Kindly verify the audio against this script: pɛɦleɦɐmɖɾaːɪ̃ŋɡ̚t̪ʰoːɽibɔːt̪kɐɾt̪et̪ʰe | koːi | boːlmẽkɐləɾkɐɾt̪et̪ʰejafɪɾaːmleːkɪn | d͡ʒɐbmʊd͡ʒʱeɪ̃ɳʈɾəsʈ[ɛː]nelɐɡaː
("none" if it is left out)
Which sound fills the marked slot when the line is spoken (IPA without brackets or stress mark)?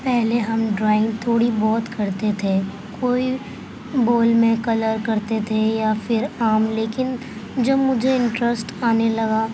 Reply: aː